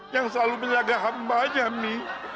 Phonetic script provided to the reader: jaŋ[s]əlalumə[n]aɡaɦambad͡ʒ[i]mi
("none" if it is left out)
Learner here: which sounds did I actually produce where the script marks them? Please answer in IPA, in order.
s, ɲ, a

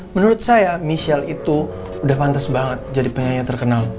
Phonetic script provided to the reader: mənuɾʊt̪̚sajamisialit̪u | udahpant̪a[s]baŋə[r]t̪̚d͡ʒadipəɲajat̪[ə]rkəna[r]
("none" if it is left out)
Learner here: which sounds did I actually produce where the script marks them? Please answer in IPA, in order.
s, none, ə, l

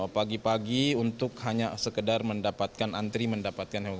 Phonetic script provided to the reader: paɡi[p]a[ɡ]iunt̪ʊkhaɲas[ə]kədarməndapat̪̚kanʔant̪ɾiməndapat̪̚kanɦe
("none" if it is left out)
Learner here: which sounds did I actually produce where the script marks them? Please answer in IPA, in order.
p, ɡ, ə

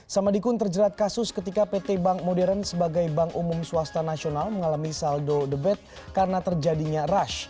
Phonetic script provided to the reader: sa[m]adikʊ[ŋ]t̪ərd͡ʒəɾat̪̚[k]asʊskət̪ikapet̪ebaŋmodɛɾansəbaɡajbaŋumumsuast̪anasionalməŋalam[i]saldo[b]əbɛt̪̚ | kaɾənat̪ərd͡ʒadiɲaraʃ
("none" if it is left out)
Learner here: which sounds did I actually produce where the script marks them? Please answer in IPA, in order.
m, n, k, i, d

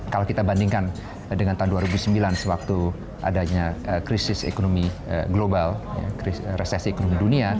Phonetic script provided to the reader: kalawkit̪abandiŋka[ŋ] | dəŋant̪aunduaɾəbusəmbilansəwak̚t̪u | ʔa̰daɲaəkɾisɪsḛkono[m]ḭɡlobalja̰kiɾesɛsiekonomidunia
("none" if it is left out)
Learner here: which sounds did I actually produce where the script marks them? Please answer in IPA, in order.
n, m

